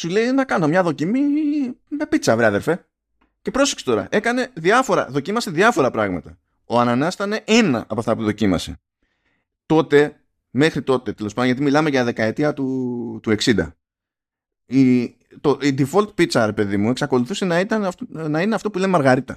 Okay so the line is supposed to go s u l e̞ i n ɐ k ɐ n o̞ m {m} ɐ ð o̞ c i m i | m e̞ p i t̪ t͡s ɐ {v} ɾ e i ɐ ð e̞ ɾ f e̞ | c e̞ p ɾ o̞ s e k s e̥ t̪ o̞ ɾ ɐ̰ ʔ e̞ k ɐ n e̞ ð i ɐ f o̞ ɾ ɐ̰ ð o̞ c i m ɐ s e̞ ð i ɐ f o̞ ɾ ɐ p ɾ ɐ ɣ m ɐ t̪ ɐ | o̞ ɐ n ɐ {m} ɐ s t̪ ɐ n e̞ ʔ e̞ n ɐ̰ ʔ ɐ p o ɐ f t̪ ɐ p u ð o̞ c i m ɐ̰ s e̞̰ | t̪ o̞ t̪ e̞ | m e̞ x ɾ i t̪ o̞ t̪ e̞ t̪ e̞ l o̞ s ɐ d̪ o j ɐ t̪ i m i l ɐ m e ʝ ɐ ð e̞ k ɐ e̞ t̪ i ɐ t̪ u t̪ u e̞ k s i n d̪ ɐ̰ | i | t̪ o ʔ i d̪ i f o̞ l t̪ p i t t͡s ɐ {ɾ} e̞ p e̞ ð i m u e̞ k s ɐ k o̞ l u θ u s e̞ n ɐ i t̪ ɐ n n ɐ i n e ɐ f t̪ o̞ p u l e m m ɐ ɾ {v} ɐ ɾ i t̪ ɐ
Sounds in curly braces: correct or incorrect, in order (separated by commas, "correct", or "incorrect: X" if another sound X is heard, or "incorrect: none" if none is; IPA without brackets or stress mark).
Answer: incorrect: ɲ, correct, incorrect: n, correct, incorrect: ɣ